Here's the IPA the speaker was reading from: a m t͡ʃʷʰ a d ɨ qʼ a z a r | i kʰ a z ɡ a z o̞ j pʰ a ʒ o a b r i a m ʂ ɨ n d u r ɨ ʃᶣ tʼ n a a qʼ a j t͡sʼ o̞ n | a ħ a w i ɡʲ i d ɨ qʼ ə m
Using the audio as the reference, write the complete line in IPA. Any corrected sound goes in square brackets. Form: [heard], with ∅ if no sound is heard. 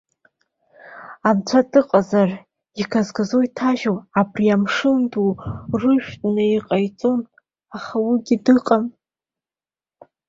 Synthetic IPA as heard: a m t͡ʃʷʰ a d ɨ qʼ a z a r | i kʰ a z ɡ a z o̞ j [tʰ] a ʒ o a b r i a m ʂ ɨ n d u r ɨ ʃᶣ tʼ n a [i] qʼ a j t͡sʼ o̞ n | a [χ] a w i ɡʲ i d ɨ qʼ [a] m